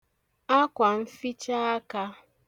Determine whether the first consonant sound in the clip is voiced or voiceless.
voiceless